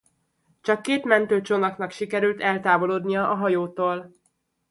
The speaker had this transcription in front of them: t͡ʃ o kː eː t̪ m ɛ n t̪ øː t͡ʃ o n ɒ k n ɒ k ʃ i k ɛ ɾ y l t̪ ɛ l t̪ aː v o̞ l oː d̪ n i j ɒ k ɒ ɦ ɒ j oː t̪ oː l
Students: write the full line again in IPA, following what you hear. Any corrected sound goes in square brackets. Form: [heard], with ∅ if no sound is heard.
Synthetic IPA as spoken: t͡ʃ [ɒ] kː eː t̪ m ɛ n t̪ øː t͡ʃ o n ɒ k n ɒ k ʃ i k ɛ ɾ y l t̪ ɛ l t̪ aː v o̞ l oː d̪ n i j ɒ [ʔ] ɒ ɦ ɒ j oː t̪ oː l